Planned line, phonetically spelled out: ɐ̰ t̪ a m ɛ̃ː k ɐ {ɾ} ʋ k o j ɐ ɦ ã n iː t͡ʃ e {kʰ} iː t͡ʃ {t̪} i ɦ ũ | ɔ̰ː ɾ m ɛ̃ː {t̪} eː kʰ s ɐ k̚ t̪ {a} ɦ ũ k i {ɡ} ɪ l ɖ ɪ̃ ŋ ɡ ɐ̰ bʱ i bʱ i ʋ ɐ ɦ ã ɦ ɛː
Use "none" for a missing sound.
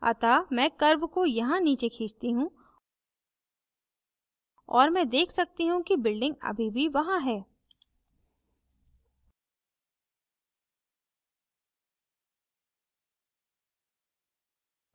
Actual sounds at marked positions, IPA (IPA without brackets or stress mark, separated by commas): ɾ, kʰ, t̪, d̪, i, b